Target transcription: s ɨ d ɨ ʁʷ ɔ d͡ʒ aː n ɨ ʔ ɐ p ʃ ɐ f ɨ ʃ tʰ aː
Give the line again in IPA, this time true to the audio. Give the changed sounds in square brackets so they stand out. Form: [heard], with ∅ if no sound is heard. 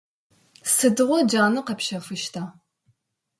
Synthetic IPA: s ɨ d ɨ ʁʷ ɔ d͡ʒ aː n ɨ [q] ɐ p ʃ ɐ f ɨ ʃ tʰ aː